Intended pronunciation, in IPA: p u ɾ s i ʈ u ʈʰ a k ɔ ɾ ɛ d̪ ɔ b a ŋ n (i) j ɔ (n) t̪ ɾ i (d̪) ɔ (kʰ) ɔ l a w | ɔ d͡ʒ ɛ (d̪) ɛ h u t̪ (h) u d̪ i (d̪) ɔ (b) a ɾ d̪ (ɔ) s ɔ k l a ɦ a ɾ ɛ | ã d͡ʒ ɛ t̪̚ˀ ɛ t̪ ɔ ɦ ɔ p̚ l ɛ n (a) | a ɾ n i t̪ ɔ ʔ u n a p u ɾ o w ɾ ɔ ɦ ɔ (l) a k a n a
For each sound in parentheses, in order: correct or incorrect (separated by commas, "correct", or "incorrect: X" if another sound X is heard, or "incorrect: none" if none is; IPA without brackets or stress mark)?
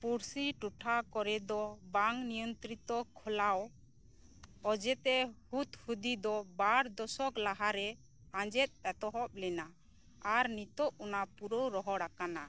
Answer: correct, correct, incorrect: t̪, correct, incorrect: t̪, correct, correct, correct, correct, correct, incorrect: ɽ